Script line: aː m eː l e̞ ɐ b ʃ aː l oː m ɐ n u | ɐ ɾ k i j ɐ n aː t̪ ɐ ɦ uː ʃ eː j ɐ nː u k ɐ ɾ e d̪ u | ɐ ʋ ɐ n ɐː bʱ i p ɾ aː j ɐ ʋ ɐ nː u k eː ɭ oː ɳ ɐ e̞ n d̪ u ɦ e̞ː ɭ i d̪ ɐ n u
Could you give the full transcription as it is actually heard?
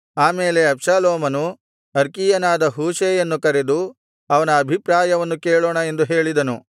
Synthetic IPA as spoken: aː m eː l e̞ ɐ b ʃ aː l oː m ɐ n u | ɐ ɾ k i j ɐ n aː d̪ ɐ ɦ uː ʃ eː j ɐ nː u k ɐ ɾ e d̪ u | ɐ ʋ ɐ n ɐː bʱ i p ɾ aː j ɐ ʋ ɐ nː u k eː ɭ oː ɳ ɐ e̞ n d̪ u ɦ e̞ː ɭ i d̪ ɐ n u